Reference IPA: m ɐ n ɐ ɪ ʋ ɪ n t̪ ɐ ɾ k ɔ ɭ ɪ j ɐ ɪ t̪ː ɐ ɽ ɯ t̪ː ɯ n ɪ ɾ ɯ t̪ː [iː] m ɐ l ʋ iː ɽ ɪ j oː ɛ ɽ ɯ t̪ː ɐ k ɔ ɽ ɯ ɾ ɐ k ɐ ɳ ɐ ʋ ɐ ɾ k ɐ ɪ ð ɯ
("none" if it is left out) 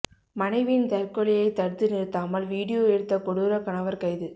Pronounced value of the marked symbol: aː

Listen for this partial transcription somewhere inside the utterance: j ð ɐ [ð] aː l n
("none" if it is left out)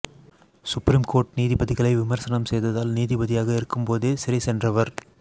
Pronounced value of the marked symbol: ð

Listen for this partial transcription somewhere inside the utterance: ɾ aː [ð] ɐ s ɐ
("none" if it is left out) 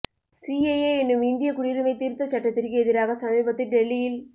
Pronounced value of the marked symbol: ɣ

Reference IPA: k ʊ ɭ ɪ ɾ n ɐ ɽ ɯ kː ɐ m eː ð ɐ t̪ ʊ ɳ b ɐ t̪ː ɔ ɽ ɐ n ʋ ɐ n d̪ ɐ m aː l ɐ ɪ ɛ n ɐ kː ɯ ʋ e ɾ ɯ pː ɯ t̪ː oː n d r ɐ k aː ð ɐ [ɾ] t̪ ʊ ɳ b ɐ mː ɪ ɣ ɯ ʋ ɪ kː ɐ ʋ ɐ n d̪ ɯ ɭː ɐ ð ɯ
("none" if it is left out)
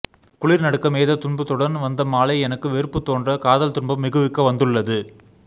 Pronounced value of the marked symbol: l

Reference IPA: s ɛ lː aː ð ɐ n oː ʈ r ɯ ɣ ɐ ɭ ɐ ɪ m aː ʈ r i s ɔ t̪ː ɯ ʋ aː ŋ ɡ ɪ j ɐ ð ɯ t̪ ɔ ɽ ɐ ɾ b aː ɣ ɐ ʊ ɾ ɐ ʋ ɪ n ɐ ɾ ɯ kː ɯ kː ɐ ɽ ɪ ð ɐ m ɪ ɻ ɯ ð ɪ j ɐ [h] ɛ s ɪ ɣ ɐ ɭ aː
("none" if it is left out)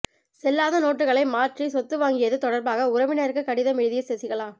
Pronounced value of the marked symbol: s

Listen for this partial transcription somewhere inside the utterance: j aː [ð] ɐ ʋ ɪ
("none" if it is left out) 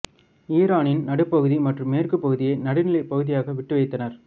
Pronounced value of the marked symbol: ɣ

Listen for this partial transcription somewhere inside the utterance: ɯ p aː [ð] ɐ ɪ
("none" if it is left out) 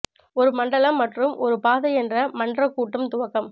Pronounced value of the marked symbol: ð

